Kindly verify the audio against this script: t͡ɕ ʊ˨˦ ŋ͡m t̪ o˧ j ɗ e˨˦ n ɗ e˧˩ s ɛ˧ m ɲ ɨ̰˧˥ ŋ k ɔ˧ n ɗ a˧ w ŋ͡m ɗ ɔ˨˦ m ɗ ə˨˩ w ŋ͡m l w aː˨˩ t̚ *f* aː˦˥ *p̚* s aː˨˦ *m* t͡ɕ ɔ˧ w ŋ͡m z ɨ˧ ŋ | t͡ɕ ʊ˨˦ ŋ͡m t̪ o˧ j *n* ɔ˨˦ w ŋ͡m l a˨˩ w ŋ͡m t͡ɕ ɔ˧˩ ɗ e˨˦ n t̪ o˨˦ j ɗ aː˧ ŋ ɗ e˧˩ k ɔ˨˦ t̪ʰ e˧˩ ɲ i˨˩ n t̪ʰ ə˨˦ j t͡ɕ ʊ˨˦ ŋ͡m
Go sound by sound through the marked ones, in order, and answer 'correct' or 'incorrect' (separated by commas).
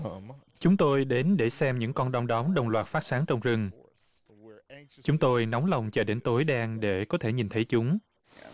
correct, incorrect, incorrect, correct